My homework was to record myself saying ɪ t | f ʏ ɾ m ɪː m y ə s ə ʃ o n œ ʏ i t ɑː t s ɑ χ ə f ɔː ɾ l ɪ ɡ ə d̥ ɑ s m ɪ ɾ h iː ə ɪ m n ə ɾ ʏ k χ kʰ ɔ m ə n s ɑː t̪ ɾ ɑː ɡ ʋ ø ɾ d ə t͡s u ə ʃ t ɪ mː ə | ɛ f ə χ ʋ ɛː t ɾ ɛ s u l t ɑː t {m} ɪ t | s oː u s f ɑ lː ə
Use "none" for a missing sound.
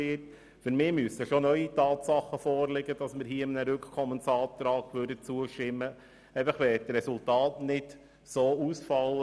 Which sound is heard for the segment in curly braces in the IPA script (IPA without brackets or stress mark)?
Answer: n